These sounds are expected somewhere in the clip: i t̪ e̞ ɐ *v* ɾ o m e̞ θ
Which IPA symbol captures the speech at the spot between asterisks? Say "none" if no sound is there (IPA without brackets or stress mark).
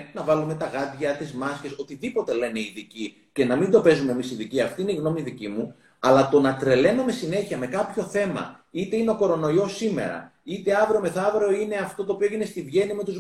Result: v